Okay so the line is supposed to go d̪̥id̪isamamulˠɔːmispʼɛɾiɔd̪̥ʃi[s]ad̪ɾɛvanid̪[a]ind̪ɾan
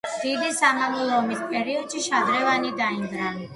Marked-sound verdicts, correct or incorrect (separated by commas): incorrect, correct